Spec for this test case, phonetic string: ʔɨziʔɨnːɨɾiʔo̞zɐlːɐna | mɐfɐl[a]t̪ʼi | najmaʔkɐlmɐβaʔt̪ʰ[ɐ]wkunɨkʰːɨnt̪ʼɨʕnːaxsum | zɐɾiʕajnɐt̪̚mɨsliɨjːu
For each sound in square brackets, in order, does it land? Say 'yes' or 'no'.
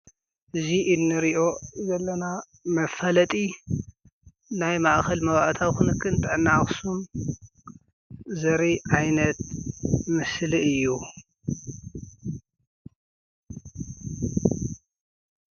no, no

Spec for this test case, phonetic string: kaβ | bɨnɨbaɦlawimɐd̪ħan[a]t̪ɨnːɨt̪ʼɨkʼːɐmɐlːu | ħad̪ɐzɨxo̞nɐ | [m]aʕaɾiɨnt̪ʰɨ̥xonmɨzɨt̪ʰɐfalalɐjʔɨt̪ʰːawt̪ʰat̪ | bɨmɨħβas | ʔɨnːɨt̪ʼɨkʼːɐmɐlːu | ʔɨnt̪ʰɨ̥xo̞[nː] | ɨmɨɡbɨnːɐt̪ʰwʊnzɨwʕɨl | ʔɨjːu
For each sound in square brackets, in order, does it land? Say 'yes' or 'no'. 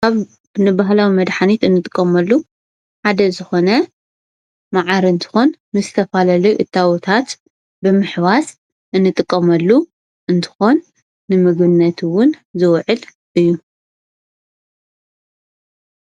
no, yes, yes

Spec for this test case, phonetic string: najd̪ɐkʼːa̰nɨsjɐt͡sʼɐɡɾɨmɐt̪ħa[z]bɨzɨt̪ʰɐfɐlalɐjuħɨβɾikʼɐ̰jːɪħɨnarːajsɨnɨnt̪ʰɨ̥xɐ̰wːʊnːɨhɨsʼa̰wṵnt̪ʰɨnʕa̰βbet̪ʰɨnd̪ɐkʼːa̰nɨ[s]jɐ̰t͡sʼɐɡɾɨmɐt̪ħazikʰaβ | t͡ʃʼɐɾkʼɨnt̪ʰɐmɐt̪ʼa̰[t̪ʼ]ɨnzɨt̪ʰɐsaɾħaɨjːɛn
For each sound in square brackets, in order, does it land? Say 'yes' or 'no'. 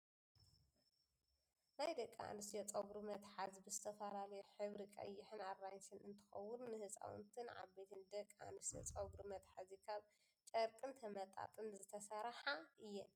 yes, yes, yes

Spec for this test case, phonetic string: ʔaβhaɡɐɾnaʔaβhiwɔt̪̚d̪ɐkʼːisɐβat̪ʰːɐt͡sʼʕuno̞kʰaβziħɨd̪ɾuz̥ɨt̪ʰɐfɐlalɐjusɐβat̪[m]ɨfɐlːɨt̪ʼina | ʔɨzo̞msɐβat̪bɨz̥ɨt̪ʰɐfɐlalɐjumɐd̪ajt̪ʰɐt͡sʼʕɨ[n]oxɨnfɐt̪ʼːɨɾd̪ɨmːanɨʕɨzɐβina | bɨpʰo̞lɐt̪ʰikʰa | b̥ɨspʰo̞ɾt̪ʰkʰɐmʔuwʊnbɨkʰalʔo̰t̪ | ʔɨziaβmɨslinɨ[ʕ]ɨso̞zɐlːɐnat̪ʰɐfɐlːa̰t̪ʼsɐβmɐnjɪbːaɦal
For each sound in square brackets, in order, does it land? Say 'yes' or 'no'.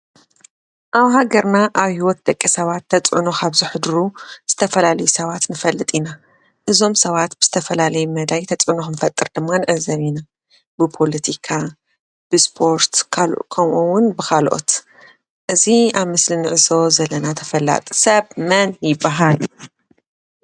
no, yes, yes

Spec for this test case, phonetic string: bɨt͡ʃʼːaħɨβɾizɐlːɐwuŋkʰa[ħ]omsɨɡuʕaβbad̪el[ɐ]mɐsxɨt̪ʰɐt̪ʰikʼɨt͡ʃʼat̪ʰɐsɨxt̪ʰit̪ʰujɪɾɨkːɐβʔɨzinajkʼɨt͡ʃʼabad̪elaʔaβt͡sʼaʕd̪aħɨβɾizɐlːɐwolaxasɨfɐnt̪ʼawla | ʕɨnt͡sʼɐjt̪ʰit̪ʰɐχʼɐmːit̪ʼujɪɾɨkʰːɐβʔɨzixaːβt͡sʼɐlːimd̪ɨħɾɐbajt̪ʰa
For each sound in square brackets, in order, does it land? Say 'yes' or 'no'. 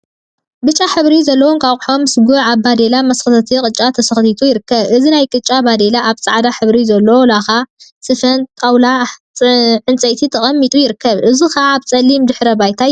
yes, no

